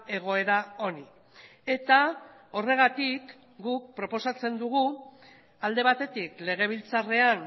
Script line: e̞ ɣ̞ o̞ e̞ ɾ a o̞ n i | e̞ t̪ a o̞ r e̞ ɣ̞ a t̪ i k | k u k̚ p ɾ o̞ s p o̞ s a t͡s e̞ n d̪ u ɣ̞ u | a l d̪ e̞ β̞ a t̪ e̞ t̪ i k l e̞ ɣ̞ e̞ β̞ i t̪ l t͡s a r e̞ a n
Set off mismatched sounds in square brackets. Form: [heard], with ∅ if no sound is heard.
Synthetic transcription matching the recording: e̞ ɣ̞ o̞ e̞ ɾ a o̞ n i | e̞ t̪ a o̞ r e̞ ɣ̞ a t̪ i k | [ɡ] u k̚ p ɾ o̞ [∅] p o̞ s a t͡s e̞ n d̪ u ɣ̞ u | a l d̪ e̞ β̞ a t̪ e̞ t̪ i k l e̞ ɣ̞ e̞ β̞ i [∅] l t͡s a r e̞ a n